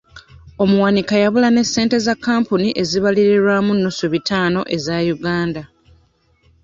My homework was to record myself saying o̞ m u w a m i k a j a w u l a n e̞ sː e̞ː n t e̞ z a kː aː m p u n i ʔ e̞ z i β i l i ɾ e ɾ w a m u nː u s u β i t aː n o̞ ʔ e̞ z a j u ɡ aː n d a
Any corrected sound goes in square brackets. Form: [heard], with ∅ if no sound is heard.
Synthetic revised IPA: o̞ m u w a [n] i k a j a [β] u l a n e̞ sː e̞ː n t e̞ z a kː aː m p u n i ʔ e̞ z i β [a] l i ɾ e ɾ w a m u nː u s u β i t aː n o̞ ʔ e̞ z a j u ɡ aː n d a